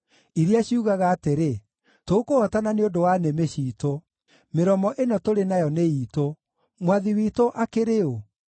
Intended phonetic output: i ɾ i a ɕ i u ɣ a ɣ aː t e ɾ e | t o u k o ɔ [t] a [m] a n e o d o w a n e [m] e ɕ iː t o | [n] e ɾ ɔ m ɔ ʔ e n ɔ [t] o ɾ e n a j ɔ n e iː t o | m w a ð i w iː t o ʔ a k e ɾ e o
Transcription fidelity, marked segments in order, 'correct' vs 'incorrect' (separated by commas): correct, incorrect, correct, incorrect, correct